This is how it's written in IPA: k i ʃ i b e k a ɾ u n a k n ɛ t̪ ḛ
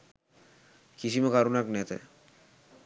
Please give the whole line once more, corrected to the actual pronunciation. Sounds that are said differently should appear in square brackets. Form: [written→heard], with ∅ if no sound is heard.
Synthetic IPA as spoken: k i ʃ i [b→m] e k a ɾ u n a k n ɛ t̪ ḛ

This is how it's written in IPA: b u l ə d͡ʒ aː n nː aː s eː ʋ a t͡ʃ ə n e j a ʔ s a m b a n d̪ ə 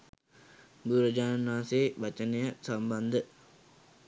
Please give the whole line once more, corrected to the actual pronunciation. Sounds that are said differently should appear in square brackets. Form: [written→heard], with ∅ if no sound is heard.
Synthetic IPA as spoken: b u [l→ɾ] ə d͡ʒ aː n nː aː s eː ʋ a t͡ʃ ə n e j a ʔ s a m b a n d̪ ə

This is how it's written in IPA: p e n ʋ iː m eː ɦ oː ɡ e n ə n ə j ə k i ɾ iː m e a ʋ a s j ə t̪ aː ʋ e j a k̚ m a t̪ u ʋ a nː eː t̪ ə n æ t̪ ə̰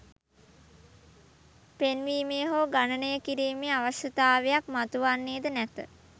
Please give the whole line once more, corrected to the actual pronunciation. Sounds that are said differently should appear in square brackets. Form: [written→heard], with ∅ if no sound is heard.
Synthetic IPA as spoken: p e n ʋ iː m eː ɦ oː ɡ [e→a] n ə n ə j ə k i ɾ iː m e a ʋ a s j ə t̪ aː ʋ e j a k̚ m a t̪ u ʋ a nː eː [t̪→d̪] ə n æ t̪ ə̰

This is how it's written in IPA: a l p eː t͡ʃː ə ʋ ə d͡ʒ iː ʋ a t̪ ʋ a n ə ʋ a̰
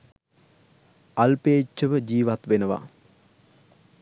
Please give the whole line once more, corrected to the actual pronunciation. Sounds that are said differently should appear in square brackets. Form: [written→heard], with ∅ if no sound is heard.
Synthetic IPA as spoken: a l p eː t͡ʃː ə ʋ ə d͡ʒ iː ʋ a t̪ ʋ [a→e] n ə ʋ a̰

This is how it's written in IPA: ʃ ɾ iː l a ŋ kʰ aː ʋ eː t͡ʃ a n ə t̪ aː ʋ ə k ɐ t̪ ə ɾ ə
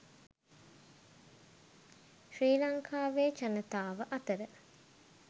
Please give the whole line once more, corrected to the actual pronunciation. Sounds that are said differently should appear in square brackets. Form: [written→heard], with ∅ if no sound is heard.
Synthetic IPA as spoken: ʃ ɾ iː l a ŋ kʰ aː ʋ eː t͡ʃ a n ə t̪ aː ʋ ə [k→ʔ] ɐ t̪ ə ɾ ə

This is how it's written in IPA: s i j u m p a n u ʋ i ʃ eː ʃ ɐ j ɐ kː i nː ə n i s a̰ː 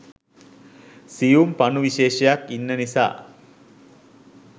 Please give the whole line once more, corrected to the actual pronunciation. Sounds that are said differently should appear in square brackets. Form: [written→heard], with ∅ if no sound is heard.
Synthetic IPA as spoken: s i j u m p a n u ʋ i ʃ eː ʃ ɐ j [ɐ→a] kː i nː ə n i s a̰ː

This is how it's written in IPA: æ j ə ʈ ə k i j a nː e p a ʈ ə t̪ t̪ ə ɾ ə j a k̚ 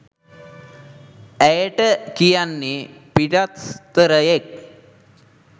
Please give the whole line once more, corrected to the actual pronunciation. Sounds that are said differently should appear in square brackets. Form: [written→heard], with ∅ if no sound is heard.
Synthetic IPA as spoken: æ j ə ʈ ə k i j a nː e p [a→i] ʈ [ə→a] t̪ t̪ ə ɾ ə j [a→e] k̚

